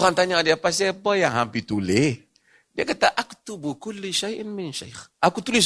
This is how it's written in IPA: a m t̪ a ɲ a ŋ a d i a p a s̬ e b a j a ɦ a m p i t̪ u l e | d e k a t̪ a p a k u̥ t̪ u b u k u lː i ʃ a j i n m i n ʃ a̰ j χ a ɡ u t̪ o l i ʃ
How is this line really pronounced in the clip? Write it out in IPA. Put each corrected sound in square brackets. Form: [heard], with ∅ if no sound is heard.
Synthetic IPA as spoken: a [n] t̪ a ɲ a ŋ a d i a p a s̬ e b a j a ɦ a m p i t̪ u l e | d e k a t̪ a [ʔ] a k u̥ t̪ u b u k u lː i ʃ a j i n m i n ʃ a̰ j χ a [k] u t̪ [u] l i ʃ